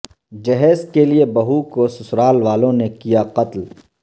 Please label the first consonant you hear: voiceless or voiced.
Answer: voiced